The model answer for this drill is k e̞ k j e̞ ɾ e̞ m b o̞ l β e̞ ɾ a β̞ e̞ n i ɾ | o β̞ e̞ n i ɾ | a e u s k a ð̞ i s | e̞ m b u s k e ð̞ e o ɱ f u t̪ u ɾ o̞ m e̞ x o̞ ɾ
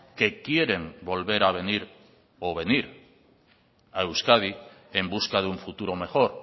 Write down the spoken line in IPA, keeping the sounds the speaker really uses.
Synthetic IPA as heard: k e̞ k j e̞ ɾ e̞ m b o̞ l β e̞ ɾ a β̞ e̞ n i ɾ | o β̞ e̞ n i ɾ | a e w s k a ð̞ i | e̞ m b u s k a ð̞ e u ɱ f u t̪ u ɾ o̞ m e̞ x o̞ ɾ

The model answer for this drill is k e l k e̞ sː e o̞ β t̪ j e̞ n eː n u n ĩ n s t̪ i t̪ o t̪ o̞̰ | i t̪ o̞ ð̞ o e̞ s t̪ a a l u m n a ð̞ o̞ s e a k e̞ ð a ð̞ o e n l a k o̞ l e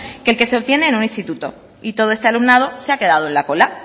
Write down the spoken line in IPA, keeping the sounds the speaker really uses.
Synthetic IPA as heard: k e l k e̞ s e o̞ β t̪ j e̞ n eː n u n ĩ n s t̪ i t̪ u t̪ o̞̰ | i t̪ o̞ ð̞ o e̞ s t̪ e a l u m n a ð̞ o̞ s e a k e̞ ð a ð̞ o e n l a k o̞ l a

